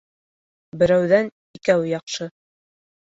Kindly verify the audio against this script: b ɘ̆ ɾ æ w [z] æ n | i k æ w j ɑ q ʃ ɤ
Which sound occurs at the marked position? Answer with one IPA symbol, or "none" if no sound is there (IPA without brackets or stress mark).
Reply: ð